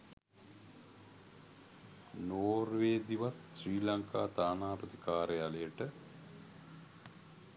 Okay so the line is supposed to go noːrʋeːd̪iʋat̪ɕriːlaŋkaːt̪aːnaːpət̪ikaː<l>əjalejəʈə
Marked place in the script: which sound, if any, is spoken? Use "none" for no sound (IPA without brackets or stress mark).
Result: ɾ